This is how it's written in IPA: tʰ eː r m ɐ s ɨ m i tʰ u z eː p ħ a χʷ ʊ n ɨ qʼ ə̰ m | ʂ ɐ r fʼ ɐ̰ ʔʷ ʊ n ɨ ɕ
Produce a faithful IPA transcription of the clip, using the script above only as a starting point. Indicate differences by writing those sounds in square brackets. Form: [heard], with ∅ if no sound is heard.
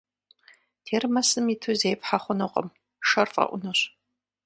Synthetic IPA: tʰ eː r m ɐ s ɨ m i tʰ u z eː p ħ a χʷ ʊ n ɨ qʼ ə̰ m | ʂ ɐ r fʼ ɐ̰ ʔʷ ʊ n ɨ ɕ